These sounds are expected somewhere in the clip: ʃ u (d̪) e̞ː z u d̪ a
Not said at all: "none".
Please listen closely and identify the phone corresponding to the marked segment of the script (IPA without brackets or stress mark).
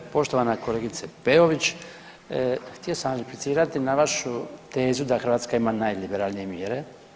t̪